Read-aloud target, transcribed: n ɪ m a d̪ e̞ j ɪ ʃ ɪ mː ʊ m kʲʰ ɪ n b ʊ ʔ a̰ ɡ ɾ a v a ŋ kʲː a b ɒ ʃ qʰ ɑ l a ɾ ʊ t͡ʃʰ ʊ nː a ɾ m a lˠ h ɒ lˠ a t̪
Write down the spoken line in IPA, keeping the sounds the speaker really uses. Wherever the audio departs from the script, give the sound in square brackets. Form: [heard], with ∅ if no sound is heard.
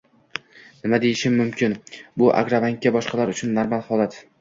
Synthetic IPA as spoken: n ɪ m a d̪ e̞ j ɪ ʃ ɪ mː ʊ m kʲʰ ɪ n b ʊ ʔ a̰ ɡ ɾ a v a ŋ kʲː a b ɒ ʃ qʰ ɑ l a ɾ ʊ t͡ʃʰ ʊ nː a ɾ m a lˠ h ɒ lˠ a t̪

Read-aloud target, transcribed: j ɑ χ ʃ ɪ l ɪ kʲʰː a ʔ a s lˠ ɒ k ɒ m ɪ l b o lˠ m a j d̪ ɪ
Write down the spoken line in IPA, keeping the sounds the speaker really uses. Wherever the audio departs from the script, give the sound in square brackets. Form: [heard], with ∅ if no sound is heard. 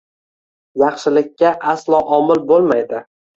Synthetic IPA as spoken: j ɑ χ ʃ ɪ l ɪ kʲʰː a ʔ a s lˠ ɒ [ʔ] ɒ m ɪ l b o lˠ m a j d̪ ɪ

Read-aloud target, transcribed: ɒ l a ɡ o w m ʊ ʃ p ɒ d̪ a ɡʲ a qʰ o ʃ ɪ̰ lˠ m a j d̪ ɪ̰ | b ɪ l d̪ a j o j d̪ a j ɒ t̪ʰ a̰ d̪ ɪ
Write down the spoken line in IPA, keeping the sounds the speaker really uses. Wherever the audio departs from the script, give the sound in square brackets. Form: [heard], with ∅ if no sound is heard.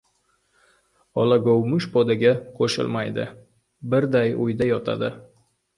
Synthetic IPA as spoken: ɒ l a ɡ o w m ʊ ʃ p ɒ d̪ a ɡʲ a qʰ o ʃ ɪ̰ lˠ m a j d̪ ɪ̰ | b ɪ [ɾ] d̪ a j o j d̪ a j ɒ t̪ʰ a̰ d̪ ɪ

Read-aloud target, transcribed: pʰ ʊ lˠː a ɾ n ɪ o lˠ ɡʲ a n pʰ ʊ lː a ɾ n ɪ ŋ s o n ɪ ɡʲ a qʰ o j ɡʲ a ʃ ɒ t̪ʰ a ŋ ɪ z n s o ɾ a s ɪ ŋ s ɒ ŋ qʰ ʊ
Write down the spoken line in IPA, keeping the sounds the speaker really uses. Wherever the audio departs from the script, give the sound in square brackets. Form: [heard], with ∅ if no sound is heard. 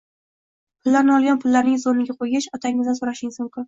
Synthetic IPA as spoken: pʰ ʊ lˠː a ɾ n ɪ [ɒ] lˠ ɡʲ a n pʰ ʊ lː a ɾ n ɪ ŋ [z] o n ɪ ɡʲ a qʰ o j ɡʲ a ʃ ɒ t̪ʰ a ŋ ɪ z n s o ɾ a [ʃ] ɪ ŋ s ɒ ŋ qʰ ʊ

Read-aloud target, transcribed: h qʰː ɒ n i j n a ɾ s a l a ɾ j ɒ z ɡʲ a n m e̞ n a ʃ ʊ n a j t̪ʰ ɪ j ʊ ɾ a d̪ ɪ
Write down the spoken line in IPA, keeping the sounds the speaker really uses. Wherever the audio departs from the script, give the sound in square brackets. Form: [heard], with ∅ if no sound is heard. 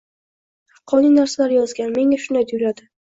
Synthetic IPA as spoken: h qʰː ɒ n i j n a ɾ s a l a ɾ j ɒ z ɡʲ a n m e̞ [ŋ] a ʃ ʊ n a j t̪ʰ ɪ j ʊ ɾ a d̪ ɪ

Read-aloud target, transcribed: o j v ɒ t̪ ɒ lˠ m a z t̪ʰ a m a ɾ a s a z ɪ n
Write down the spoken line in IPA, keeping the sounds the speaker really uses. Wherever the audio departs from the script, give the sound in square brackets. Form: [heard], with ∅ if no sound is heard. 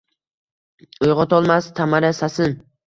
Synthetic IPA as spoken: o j [ʁ] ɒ t̪ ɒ lˠ m a [s] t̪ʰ a m a ɾ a s a [s] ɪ n

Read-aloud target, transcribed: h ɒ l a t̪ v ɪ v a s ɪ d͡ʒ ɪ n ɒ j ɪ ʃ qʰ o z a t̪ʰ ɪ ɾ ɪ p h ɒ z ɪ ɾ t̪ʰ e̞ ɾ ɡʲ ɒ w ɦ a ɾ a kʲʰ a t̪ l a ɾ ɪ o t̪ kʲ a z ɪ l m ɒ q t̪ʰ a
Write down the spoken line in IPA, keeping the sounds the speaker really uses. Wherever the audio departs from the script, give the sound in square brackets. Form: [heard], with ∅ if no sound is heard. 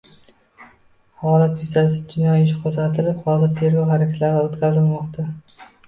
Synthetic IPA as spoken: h ɒ l a t̪ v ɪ [z] a s ɪ d͡ʒ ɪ n ɒ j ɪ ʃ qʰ o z a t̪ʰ ɪ [l] ɪ p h ɒ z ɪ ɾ t̪ʰ e̞ ɾ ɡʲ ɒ w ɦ a ɾ a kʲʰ a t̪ l a ɾ ɪ o t̪ kʲ a z ɪ l m ɒ q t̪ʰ a

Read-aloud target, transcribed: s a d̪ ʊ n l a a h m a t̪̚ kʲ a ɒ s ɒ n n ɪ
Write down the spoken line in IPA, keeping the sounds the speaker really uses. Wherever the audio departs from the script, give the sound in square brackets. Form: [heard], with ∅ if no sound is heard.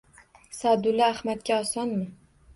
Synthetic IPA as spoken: s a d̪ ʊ [∅] l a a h m a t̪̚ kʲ a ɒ s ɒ n [m] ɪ

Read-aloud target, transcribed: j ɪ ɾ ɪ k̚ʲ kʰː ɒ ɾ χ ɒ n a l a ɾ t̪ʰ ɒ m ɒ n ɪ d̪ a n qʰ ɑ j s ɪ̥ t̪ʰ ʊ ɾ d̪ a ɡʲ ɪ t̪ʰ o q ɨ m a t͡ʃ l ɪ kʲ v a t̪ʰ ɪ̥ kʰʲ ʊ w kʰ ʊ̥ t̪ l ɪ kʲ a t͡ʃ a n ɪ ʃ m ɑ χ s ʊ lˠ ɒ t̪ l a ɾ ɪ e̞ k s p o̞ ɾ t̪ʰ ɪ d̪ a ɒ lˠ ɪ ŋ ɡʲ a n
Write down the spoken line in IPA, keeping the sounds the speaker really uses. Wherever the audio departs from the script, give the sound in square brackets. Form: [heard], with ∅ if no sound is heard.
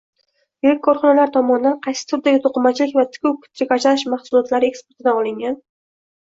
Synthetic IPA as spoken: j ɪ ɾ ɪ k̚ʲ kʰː ɒ ɾ χ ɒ n a l a ɾ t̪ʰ ɒ m ɒ n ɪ d̪ a n qʰ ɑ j s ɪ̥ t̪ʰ ʊ ɾ d̪ a ɡʲ ɪ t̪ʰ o q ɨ m a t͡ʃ l ɪ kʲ v a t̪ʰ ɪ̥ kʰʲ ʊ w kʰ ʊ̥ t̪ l ɪ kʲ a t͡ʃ a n ɪ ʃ m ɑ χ s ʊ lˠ ɒ t̪ l a ɾ ɪ e̞ k s p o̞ ɾ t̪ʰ ɪ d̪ a ɒ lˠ ɪ ŋ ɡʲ a n

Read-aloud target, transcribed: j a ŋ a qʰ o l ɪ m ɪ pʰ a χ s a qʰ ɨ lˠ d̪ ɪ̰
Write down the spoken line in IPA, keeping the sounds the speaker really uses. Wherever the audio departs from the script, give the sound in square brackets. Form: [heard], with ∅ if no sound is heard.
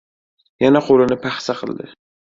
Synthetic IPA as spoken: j a [n] a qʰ o l ɪ [n] ɪ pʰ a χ s a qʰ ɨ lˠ d̪ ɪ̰

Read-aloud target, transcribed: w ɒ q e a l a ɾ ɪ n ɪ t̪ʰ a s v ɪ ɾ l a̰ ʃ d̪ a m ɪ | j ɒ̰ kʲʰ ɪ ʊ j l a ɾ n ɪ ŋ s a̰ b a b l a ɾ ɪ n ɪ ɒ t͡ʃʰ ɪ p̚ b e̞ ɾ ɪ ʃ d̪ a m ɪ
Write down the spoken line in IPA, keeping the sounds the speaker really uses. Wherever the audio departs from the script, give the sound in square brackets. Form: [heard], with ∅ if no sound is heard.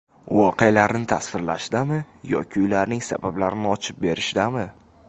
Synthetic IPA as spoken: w ɒ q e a l a ɾ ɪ n ɪ t̪ʰ a s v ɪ ɾ l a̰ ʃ d̪ a m ɪ | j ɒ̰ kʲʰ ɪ ʊ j l a ɾ n ɪ ŋ s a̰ b a b l a ɾ ɪ n ɪ ɒ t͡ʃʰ ɪ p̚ b e̞ ɾ ɪ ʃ d̪ a m ɪ

